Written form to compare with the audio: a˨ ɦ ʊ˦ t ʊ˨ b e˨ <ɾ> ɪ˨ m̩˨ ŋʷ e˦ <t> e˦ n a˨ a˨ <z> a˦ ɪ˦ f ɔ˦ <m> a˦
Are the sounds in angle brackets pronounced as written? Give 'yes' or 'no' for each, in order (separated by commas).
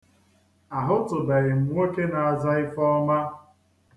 yes, no, yes, yes